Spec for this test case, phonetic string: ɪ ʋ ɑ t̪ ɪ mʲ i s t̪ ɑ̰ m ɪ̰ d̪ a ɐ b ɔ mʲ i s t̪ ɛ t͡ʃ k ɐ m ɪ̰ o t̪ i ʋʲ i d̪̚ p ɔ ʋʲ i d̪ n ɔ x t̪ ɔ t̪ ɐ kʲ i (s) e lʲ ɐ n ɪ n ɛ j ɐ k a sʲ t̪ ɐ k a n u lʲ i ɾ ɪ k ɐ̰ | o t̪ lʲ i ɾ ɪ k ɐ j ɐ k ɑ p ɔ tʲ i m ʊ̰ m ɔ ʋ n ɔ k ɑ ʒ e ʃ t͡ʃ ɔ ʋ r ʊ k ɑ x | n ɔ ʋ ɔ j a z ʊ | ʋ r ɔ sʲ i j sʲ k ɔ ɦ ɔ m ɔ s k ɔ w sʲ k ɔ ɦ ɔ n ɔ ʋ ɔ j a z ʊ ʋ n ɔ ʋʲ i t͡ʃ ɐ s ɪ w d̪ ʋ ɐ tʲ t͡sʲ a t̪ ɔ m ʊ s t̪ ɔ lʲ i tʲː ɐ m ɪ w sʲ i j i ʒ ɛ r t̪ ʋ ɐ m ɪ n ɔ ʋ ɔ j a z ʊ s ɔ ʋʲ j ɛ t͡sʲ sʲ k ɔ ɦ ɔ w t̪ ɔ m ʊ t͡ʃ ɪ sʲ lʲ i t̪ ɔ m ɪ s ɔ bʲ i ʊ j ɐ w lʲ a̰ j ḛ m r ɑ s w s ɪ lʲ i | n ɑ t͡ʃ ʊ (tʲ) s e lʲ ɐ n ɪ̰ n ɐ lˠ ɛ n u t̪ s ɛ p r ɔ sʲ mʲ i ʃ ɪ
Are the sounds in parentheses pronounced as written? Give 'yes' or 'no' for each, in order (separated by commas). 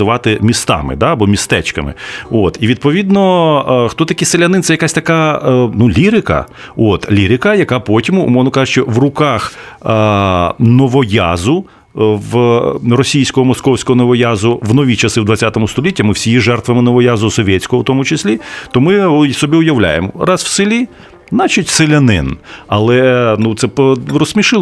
yes, yes